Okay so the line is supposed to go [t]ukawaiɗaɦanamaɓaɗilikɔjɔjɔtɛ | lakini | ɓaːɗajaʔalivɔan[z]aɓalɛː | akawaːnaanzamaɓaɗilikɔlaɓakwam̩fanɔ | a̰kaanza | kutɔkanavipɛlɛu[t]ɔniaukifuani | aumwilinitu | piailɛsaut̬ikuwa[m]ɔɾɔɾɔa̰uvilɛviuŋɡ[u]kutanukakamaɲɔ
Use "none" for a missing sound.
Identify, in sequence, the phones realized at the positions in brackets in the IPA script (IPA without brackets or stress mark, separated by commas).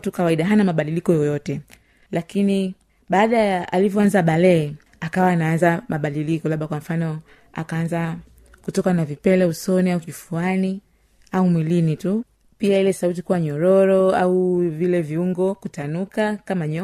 t, z, s, ɲ, ɔ